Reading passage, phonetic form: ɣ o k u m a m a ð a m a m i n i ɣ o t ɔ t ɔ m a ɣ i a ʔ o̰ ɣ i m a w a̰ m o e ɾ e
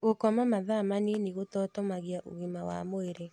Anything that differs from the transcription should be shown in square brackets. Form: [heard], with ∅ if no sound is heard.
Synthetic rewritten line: ɣ o k [ɔ] m a m a ð a m a [n] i n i ɣ o t ɔ t ɔ m a ɣ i a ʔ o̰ ɣ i m a w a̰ m o e ɾ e